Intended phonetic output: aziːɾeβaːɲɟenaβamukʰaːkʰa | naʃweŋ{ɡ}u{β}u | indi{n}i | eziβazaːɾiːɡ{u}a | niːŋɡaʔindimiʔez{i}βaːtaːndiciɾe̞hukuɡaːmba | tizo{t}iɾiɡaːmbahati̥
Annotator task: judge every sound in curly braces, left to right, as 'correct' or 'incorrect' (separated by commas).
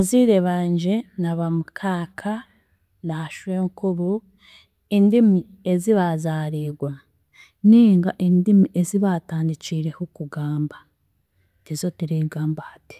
incorrect, correct, incorrect, incorrect, correct, correct